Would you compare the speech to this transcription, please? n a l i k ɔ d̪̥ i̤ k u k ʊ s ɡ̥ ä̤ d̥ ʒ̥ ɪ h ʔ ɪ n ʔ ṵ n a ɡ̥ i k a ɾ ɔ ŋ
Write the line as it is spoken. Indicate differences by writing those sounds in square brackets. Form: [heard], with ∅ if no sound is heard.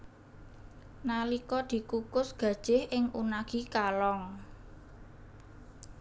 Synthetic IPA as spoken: n a l i k ɔ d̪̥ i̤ k u k ʊ s ɡ̥ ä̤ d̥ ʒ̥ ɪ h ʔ ɪ [ŋ] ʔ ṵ n a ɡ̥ i k a [l] ɔ ŋ